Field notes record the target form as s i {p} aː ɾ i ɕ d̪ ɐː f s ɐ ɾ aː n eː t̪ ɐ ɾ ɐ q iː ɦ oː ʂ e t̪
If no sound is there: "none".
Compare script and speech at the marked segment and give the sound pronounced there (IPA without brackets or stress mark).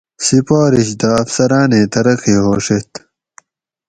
p